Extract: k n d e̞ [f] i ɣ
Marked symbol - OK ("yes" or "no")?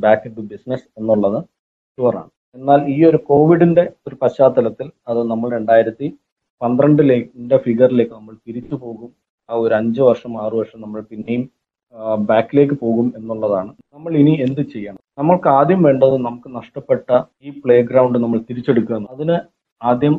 yes